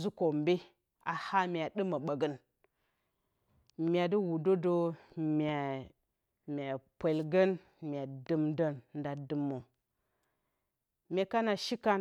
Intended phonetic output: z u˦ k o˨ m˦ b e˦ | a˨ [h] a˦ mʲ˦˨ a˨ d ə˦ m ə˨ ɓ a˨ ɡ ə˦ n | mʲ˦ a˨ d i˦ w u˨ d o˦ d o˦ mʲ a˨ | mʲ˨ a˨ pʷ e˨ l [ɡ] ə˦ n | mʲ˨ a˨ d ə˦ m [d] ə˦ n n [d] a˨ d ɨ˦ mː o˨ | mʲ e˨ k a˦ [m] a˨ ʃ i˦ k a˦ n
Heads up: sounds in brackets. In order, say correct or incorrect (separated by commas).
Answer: correct, correct, correct, correct, incorrect